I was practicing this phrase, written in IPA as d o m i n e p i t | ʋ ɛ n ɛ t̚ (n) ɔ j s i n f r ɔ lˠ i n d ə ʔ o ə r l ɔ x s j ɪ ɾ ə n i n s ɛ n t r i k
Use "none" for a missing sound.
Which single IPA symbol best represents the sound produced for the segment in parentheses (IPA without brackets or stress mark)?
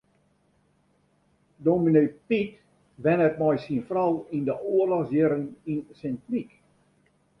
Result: m